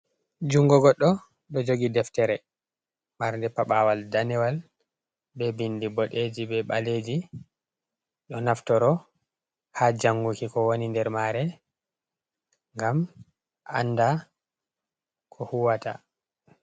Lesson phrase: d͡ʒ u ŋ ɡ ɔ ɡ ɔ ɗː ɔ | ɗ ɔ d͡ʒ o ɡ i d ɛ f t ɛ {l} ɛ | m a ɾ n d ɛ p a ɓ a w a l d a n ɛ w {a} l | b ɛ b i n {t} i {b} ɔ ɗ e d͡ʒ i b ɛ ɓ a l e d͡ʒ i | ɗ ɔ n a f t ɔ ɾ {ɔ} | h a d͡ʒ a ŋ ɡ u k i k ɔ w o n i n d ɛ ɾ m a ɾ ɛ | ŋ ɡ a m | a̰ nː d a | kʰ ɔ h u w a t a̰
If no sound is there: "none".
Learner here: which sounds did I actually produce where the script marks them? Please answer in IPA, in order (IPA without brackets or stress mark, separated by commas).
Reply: ɾ, a, d, b, ɔ